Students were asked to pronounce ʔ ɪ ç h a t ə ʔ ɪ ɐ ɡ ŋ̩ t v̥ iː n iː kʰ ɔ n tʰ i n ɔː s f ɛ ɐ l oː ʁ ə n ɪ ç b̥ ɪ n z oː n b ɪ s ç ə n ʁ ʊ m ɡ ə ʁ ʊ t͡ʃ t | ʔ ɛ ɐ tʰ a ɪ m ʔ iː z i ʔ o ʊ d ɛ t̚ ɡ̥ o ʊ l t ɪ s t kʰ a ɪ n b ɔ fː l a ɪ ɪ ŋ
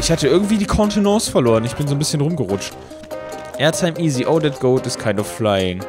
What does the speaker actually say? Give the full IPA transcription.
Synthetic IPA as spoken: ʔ ɪ ç h a t ə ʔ ɪ ɐ ɡ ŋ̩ t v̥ iː d iː kʰ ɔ n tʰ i n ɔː s f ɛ ɐ l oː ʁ ə n ɪ ç b̥ ɪ n z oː n b ɪ s ç ə n ʁ ʊ m ɡ ə ʁ ʊ t͡ʃ t | ʔ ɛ ɐ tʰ a ɪ m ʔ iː z i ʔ o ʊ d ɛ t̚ ɡ̥ o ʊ l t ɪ s t kʰ a ɪ n d ɔ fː l a ɪ ɪ ŋ